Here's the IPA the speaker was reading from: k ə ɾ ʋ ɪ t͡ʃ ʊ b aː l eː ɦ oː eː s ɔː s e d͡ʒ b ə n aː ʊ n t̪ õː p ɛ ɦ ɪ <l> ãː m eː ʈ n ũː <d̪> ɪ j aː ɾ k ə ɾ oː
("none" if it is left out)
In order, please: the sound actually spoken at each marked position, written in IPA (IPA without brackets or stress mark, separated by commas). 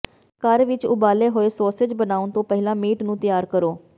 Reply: l, t̪